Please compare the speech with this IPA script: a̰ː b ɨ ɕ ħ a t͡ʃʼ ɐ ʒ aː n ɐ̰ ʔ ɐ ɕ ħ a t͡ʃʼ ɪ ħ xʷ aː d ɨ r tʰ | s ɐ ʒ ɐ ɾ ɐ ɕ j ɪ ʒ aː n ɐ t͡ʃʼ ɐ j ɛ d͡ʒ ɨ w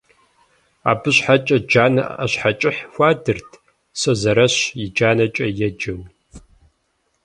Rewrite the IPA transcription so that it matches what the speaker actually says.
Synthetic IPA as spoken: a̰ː b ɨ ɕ ħ a t͡ʃʼ ɐ d͡ʒ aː n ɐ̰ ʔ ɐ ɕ ħ a t͡ʃʼ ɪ ħ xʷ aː d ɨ r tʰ | s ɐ z ɐ ɾ ɐ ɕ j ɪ d͡ʒ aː n ɐ t͡ʃʼ ɐ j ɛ d͡ʒ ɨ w

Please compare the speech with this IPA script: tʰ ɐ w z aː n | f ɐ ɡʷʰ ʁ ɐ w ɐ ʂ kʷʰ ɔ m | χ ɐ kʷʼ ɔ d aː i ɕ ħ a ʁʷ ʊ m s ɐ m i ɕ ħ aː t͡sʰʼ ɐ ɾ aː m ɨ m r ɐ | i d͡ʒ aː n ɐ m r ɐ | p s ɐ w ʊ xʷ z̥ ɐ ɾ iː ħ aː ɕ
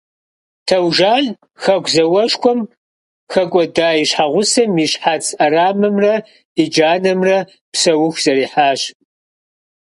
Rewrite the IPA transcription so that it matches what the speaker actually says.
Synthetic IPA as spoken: tʰ ɐ w ʒ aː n | x ɐ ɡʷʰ z ɐ w ɐ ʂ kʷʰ ɔ m | x ɐ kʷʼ ɔ d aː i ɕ ħ a ʁʷ ʊ s ɐ m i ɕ ħ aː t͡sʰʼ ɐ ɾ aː m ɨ m r ɐ | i d͡ʒ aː n ɐ m r ɐ | p s ɐ w ʊ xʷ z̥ ɐ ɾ iː ħ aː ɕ

